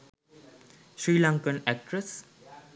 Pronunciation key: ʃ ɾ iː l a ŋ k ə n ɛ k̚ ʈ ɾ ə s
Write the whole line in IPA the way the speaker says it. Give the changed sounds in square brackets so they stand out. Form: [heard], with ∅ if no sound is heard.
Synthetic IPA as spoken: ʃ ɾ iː l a ŋ k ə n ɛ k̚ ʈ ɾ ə s